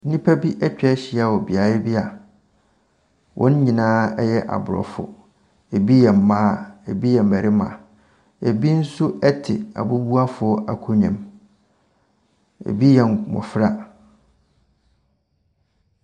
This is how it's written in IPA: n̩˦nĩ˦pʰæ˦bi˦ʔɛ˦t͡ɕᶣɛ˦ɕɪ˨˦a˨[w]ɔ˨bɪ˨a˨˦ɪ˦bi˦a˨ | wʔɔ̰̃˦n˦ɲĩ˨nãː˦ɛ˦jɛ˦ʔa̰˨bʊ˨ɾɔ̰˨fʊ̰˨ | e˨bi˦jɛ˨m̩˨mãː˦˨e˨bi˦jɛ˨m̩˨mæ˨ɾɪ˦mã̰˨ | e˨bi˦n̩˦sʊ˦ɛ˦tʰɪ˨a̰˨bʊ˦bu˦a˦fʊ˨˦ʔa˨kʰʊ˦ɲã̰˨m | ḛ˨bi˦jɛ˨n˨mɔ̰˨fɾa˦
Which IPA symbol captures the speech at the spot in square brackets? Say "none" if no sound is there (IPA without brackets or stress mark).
w